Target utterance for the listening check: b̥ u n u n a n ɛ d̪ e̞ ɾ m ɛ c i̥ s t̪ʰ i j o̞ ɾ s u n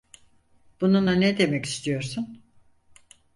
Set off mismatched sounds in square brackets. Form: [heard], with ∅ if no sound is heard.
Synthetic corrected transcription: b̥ u n u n a n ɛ d̪ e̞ [∅] m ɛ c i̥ s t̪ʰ i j o̞ ɾ s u n